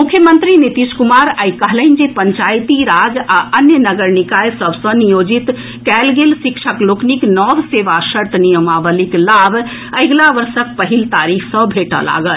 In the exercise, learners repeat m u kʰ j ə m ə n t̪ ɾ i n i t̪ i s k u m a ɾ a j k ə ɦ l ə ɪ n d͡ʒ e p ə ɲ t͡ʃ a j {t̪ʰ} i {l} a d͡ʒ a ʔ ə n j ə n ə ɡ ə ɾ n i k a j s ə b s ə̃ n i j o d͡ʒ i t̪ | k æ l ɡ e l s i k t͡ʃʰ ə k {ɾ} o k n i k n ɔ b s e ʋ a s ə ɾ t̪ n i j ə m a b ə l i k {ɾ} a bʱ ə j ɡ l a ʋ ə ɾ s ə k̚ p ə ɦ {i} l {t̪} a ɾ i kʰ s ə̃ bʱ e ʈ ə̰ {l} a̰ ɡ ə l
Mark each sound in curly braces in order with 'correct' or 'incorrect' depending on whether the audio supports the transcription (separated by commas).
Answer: incorrect, incorrect, incorrect, incorrect, correct, correct, correct